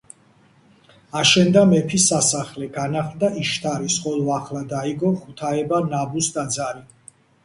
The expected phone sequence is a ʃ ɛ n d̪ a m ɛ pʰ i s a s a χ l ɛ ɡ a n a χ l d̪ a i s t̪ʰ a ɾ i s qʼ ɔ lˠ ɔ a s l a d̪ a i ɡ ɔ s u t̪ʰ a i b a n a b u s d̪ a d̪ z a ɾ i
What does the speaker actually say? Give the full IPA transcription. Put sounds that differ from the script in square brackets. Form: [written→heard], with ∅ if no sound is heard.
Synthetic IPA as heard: a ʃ ɛ n d̪ a m ɛ pʰ i s a s a χ l ɛ ɡ a n a χ l d̪ a i [s→ʃ] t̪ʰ a ɾ i s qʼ ɔ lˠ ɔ a [s→χ] l a d̪ a i ɡ ɔ [s→χ] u t̪ʰ a [i→ɛ] b a n a b u s d̪ a d̪ z a ɾ i